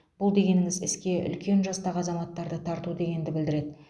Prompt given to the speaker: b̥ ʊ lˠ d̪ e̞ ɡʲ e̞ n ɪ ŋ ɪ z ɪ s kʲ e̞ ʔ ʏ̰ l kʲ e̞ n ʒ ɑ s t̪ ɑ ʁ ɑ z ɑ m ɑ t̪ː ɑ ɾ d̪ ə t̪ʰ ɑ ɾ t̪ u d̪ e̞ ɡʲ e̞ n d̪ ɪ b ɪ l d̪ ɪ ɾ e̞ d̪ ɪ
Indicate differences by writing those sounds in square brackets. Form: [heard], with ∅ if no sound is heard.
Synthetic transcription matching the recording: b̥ ʊ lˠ d̪ e̞ ɡʲ e̞ n ɪ ŋ ɪ z ɪ s kʲ e̞ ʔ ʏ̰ l kʲ e̞ n ʒ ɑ s t̪ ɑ ʁ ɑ z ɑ m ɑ t̪ː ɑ ɾ d̪ ə t̪ʰ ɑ ɾ t̪ u d̪ e̞ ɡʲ e̞ n d̪ ɪ b ɪ l d̪ ɪ ɾ e̞ d̪ ɪ